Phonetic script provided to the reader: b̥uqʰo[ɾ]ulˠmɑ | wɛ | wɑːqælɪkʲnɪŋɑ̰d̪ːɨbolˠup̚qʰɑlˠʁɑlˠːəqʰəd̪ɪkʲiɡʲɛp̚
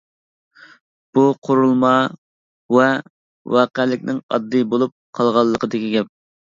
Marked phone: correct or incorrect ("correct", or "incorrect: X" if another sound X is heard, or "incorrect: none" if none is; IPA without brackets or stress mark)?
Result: correct